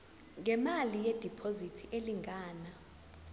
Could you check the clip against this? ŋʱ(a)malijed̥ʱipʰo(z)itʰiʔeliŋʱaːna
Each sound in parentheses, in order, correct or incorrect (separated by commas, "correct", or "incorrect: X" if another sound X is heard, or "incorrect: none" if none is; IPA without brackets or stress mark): incorrect: ɛ, correct